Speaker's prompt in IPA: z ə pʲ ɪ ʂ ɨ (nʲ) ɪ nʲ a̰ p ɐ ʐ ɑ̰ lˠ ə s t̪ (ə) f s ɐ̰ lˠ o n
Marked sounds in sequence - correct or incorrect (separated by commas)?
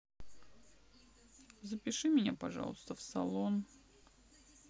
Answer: incorrect, correct